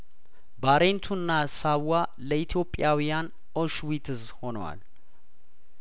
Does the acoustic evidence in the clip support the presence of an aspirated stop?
yes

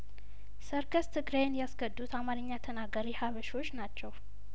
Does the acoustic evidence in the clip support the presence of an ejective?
no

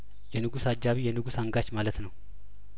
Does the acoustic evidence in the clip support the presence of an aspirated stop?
no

